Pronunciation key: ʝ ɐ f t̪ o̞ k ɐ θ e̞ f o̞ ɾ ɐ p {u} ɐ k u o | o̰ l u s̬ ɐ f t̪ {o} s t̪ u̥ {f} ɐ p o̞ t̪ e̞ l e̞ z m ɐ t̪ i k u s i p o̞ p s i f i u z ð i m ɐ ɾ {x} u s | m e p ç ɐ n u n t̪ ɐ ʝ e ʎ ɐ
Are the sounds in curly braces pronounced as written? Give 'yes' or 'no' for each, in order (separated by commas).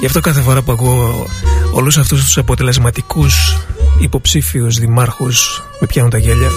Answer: yes, no, no, yes